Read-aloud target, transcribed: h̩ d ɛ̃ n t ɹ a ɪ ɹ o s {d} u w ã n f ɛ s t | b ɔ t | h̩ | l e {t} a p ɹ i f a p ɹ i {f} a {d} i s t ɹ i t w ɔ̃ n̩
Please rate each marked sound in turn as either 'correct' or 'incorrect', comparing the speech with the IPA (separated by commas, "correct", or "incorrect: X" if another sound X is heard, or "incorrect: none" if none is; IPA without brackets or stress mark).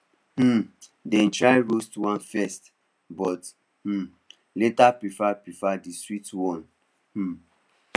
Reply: incorrect: t, correct, correct, correct